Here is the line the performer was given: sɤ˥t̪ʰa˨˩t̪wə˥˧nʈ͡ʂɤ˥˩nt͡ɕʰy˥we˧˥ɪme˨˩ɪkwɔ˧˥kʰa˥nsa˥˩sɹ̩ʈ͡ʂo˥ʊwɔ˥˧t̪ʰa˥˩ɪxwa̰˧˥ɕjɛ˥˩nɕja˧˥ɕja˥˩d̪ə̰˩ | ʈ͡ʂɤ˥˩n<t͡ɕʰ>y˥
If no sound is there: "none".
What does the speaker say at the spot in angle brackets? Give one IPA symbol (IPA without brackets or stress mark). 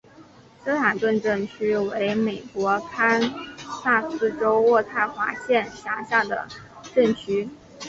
t͡ɕʰ